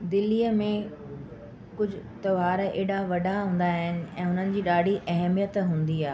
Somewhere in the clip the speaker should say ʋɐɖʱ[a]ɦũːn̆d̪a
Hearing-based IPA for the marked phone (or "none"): a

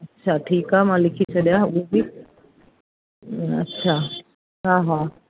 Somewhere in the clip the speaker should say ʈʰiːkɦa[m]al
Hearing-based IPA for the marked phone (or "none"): m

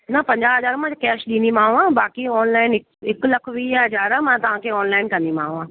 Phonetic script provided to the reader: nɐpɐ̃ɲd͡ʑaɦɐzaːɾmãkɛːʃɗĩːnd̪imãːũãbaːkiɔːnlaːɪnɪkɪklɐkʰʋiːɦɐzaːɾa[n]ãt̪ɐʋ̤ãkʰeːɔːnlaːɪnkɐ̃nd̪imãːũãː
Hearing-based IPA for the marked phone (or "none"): m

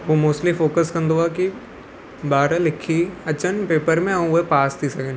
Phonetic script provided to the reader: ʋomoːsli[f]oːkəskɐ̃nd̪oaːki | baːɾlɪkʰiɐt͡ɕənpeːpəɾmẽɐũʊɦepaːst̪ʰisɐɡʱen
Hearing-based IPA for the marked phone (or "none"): f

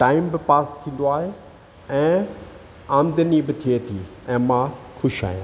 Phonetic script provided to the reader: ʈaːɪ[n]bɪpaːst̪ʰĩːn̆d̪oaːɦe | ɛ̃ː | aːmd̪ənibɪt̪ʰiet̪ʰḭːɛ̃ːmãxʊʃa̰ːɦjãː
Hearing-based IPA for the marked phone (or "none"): m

